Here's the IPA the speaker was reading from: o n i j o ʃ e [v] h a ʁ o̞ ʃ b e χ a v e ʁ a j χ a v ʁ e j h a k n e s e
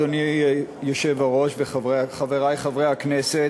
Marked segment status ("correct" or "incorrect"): correct